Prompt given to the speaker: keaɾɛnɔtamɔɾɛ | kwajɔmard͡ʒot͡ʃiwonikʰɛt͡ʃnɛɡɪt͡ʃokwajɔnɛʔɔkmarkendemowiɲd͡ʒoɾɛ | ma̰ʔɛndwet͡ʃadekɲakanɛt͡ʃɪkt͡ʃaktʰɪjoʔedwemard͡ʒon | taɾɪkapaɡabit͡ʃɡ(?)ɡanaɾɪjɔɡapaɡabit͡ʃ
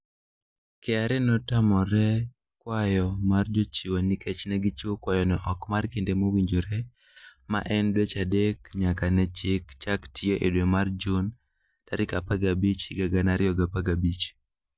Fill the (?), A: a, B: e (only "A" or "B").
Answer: A